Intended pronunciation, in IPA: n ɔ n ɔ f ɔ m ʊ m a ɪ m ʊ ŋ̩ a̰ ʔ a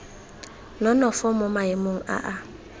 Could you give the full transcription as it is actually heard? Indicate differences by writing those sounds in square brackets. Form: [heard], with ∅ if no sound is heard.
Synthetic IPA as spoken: n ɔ n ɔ f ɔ m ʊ m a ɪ m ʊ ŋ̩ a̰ ʔ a